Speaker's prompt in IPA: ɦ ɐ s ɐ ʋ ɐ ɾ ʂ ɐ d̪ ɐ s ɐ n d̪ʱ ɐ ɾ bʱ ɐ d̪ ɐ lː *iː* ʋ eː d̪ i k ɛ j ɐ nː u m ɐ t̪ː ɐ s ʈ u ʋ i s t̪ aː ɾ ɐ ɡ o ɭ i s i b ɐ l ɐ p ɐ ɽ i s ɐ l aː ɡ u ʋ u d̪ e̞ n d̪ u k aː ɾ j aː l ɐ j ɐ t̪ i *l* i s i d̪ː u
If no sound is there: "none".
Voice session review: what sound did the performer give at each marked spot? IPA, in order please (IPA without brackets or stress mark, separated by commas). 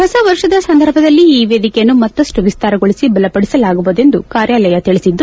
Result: iː, ɭ